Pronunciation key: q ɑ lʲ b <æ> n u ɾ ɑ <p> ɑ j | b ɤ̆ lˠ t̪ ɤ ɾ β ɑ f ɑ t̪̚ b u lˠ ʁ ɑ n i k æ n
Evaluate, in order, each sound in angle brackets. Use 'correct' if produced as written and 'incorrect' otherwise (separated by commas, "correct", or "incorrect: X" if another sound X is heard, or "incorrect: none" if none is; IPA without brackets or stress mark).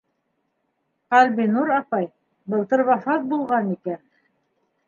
incorrect: i, correct